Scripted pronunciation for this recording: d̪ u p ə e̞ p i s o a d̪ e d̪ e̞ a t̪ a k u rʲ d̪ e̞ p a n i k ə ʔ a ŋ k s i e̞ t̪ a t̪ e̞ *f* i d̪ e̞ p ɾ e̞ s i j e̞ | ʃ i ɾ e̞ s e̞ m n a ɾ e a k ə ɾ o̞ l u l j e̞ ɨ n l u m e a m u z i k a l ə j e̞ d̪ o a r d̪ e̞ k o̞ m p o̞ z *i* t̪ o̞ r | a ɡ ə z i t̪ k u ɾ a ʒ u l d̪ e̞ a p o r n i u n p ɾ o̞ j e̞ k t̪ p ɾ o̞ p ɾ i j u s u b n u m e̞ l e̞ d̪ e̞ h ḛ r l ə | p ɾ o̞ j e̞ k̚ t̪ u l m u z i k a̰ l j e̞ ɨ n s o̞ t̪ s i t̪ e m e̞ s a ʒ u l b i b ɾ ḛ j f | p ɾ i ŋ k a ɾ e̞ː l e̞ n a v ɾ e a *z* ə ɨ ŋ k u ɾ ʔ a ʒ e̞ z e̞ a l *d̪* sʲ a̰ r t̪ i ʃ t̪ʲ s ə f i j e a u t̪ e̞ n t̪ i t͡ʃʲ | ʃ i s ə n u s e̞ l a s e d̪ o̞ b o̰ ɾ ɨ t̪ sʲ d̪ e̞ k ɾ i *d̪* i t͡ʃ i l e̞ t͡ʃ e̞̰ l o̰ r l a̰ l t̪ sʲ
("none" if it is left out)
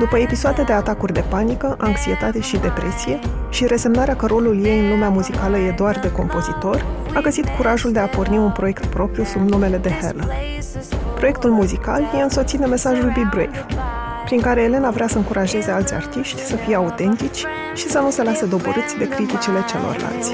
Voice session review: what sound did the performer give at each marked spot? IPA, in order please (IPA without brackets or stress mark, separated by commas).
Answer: ʃ, i, s, t̪, t̪